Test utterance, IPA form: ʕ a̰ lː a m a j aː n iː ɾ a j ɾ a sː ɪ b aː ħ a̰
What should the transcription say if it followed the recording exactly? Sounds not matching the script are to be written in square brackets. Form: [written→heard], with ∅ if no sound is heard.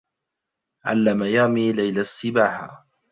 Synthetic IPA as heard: ʕ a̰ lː a m a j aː [n→m] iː [ɾ→l] a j [ɾ→l] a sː ɪ b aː ħ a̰